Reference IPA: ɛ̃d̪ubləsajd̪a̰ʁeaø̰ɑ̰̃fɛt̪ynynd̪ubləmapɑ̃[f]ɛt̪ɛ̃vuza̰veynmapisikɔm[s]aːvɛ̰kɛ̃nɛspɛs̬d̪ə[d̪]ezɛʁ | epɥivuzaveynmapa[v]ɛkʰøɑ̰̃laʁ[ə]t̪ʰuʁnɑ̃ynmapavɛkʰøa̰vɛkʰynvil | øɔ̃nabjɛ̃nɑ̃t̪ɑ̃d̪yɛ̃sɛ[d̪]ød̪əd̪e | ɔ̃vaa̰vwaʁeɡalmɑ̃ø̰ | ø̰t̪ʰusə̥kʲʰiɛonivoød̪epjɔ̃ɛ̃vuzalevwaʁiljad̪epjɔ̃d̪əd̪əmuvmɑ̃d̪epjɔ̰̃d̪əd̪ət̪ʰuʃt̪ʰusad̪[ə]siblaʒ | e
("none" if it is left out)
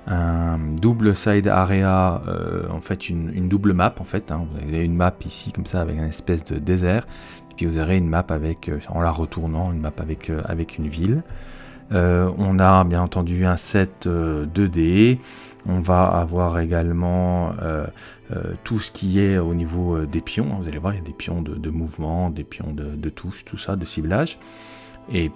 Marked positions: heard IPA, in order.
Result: f, s, d̪, v, ə, t̪, ə

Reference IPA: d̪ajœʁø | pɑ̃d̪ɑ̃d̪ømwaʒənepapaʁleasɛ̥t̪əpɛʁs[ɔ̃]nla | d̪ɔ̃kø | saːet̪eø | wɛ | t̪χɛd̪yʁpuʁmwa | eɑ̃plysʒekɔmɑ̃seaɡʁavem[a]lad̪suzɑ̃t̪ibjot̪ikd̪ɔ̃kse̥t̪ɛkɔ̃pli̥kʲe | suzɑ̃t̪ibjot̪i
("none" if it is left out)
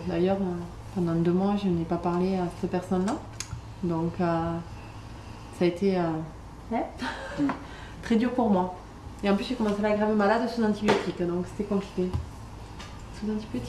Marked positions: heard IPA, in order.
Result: ɔ, a

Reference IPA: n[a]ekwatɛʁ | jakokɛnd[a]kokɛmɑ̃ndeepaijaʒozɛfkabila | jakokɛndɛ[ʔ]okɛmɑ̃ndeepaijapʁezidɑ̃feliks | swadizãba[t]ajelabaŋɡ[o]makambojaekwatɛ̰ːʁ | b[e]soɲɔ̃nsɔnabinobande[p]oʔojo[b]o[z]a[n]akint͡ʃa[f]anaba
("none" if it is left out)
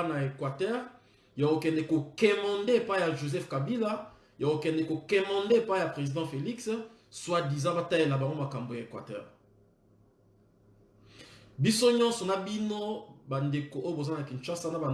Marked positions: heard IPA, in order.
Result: a, ɛ, k, t, o, i, k, b, z, n, s

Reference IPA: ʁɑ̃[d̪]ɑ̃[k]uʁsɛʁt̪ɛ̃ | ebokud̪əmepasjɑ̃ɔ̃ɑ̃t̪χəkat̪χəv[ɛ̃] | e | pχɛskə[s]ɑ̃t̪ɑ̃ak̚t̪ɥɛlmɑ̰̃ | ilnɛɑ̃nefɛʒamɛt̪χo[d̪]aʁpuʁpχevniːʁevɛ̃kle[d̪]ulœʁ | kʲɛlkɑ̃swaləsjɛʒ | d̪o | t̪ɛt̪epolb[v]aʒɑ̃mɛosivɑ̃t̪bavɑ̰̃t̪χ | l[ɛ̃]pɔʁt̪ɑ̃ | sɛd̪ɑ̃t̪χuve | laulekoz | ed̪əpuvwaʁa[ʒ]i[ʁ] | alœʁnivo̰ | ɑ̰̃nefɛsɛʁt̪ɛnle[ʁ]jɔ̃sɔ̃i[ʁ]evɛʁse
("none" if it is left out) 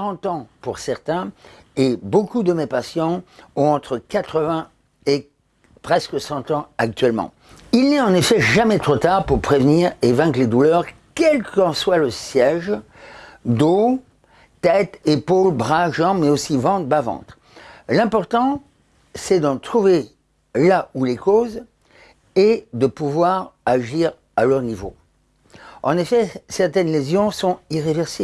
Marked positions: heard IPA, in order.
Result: t̪, p, ɛ̃, s, t̪, d̪, ʁ, ɛ̃, ʒ, ʁ, z, ʁ

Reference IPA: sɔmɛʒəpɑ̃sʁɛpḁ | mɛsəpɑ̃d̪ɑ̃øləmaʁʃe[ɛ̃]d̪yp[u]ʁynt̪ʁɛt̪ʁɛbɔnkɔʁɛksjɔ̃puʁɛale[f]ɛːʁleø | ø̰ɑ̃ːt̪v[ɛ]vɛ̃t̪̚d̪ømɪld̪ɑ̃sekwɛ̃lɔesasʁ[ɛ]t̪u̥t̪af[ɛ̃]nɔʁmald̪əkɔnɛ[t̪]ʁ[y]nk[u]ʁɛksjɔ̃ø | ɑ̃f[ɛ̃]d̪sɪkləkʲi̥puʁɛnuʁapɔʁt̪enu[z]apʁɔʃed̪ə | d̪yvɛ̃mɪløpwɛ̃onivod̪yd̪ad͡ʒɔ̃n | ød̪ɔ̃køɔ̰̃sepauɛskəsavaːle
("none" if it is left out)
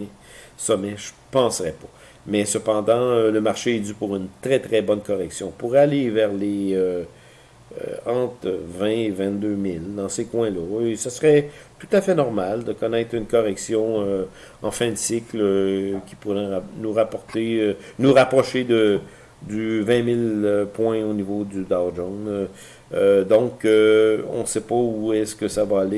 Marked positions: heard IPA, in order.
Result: ɛ, u, v, ɛ̃, ɛ, ɛ, t̪, y, ɔ, ɛ̃, ʁ

